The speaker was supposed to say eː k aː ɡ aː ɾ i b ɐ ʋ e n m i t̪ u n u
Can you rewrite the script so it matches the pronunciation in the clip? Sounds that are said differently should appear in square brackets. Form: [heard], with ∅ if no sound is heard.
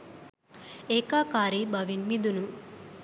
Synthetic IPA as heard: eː k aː [k] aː ɾ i b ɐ ʋ [i] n m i [d̪] u n u